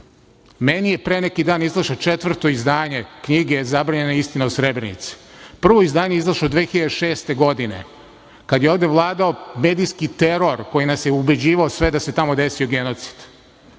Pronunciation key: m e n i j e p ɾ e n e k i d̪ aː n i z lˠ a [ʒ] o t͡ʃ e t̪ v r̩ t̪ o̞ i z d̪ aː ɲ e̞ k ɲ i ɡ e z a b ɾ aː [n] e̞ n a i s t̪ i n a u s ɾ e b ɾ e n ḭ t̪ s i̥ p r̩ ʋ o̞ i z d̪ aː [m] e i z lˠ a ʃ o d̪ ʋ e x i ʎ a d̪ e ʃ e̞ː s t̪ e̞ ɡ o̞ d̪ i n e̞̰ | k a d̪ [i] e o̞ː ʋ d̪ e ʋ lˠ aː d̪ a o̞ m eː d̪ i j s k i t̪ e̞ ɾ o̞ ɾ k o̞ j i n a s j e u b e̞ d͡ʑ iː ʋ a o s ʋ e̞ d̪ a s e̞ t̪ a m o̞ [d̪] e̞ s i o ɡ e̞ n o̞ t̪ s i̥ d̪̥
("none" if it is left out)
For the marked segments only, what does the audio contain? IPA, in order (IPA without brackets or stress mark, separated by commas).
ʃ, ɲ, ɲ, j, d̪